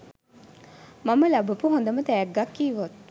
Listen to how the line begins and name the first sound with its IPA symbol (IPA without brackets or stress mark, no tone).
m